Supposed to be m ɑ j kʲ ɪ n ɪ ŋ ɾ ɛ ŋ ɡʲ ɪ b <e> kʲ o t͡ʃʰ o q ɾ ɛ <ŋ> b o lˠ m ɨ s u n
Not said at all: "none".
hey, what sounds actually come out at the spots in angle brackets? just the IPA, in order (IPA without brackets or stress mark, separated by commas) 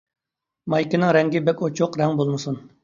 ɛ, ŋ